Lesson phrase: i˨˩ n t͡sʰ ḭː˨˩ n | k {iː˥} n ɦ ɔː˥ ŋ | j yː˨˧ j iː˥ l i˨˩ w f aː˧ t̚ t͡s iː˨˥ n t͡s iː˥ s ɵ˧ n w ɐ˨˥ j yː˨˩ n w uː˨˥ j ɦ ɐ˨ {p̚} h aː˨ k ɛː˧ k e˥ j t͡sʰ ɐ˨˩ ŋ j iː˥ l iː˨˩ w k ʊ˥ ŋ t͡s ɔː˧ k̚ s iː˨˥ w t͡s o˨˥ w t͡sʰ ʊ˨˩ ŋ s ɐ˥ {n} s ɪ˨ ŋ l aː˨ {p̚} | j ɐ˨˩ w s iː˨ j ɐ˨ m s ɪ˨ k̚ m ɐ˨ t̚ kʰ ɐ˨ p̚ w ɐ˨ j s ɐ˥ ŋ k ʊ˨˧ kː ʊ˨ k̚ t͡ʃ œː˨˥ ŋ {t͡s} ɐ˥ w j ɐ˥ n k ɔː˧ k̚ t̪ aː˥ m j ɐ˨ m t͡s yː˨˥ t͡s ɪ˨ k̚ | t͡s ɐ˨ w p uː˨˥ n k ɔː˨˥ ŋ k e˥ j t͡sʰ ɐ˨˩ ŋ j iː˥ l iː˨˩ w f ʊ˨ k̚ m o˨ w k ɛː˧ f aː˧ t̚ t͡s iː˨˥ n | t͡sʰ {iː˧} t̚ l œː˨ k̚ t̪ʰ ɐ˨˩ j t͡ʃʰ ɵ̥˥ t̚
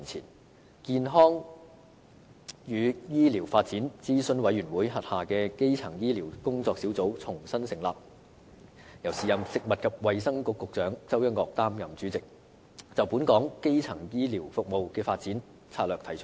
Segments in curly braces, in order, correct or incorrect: incorrect: iː˧, incorrect: t̚, correct, correct, correct, incorrect: aː˧

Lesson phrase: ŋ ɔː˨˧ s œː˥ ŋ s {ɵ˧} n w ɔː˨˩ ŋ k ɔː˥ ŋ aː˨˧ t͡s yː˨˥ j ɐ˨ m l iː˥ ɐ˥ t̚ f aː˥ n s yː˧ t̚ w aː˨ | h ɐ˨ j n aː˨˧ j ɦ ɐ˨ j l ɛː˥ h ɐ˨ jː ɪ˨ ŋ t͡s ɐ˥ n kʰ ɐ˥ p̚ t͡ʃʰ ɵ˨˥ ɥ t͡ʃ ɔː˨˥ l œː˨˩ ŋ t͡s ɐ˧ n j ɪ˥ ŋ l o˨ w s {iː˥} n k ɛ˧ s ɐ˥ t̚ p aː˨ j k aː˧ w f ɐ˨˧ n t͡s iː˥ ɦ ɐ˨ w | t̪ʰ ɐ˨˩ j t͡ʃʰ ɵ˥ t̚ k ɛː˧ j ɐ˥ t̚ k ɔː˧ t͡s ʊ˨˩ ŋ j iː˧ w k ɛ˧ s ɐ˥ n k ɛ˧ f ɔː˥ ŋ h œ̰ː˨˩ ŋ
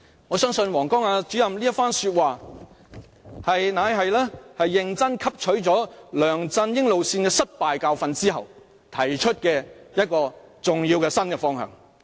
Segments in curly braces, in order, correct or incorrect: correct, incorrect: iː˧

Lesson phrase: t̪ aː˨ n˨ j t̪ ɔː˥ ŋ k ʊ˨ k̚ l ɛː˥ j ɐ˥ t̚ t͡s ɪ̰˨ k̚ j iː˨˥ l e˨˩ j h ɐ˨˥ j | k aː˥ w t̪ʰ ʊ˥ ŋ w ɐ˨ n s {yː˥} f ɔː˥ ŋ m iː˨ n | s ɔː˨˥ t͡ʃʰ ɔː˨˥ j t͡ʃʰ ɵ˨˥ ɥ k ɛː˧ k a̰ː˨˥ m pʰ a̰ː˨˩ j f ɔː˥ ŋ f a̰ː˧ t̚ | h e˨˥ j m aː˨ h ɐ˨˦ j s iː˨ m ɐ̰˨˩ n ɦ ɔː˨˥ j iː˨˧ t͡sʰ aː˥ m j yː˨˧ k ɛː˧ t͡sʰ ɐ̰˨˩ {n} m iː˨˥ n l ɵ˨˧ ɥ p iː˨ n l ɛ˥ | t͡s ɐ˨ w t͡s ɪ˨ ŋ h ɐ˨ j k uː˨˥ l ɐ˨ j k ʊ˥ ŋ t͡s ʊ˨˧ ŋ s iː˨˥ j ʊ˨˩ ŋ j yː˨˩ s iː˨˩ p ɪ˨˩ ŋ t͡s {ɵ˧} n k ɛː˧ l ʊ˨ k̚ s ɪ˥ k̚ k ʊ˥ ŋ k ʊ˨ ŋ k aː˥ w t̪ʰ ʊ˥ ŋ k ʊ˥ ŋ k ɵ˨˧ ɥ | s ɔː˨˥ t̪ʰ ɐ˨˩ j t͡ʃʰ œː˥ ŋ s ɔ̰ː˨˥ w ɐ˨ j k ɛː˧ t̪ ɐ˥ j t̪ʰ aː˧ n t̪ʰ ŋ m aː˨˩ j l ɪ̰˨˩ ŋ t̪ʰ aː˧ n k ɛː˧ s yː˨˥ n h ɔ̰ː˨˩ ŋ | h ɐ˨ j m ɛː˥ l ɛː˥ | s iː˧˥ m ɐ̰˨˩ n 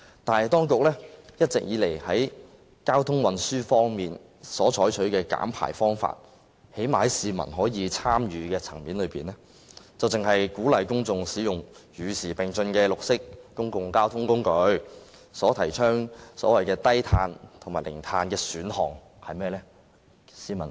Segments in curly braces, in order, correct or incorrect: correct, incorrect: ŋ, correct

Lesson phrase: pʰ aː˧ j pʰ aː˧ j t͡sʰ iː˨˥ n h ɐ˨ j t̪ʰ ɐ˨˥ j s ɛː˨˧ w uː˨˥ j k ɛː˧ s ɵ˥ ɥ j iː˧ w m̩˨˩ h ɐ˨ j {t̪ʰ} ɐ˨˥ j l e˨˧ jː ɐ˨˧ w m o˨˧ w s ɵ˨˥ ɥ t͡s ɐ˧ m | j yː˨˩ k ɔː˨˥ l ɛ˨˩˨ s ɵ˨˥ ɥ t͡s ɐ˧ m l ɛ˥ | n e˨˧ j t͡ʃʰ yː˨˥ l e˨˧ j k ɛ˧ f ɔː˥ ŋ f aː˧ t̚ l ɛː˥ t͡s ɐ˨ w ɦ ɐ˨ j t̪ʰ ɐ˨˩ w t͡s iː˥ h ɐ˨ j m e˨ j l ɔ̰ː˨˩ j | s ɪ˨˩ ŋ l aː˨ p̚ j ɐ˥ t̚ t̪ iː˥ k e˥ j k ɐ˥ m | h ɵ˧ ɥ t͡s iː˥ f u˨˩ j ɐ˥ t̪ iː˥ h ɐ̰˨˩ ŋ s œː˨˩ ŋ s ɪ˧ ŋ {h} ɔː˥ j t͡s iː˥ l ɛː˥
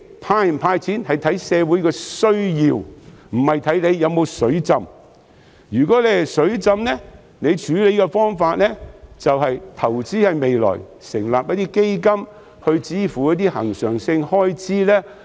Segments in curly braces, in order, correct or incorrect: correct, correct

